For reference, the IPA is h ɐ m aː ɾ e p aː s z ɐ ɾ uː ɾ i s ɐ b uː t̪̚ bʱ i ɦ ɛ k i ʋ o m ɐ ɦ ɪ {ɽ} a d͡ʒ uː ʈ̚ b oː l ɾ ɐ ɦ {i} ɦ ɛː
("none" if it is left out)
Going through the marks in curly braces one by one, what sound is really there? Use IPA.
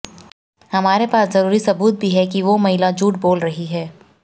l, i

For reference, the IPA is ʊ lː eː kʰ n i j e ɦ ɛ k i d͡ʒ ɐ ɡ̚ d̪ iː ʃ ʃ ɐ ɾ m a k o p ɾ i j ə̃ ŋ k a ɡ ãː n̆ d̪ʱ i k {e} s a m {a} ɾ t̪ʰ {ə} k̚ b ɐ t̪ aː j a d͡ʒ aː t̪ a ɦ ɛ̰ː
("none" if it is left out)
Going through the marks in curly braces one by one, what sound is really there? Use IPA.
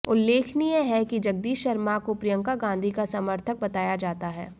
a, ə, ə

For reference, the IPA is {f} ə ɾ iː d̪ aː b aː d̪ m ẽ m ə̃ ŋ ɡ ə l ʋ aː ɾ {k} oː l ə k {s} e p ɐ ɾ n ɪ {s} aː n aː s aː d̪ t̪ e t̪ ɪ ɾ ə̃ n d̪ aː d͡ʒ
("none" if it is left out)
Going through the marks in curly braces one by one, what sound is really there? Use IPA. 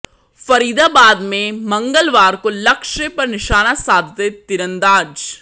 f, k, ʃ, ʃ

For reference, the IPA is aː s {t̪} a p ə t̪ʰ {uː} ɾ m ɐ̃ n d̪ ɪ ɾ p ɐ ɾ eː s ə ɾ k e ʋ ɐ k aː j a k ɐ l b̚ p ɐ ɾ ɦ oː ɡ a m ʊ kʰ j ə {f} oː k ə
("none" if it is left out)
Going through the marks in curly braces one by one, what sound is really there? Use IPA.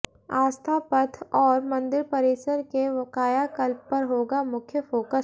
t̪ʰ, ɔː, f

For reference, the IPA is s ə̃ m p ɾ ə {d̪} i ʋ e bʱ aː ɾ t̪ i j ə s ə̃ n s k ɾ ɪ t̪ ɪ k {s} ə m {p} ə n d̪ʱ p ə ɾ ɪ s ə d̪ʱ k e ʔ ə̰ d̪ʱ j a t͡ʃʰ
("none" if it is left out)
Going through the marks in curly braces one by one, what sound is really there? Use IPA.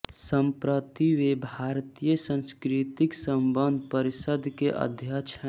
t̪, s, b

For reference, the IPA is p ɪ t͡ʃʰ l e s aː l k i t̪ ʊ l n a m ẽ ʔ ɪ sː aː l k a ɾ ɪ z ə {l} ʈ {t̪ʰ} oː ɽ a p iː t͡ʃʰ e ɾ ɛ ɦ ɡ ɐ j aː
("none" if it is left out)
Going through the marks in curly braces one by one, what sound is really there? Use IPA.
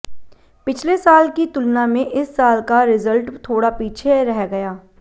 l, t̪ʰ

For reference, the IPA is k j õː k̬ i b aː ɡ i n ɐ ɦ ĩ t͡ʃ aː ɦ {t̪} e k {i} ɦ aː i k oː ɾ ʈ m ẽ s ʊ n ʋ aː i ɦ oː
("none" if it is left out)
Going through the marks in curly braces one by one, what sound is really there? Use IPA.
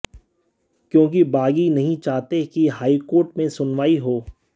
t̪, i

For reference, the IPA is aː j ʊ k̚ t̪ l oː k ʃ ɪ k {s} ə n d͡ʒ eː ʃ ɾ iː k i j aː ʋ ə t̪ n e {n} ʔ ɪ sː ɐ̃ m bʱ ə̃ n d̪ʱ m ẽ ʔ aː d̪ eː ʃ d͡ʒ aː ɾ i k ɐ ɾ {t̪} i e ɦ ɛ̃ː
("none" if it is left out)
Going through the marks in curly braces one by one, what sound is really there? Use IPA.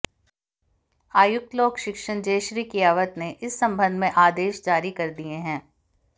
ʃ, none, d̪

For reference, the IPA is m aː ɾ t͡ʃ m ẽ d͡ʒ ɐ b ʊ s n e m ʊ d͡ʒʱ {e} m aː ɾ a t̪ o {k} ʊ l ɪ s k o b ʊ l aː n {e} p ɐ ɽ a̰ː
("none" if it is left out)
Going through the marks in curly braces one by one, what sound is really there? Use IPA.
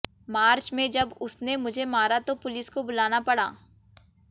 e, p, a

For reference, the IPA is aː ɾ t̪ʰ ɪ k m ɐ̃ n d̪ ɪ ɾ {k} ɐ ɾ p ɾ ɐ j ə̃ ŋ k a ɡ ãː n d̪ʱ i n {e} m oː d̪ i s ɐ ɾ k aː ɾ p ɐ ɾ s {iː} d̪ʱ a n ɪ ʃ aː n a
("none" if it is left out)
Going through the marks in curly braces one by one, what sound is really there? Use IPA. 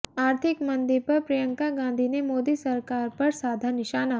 p, e, aː

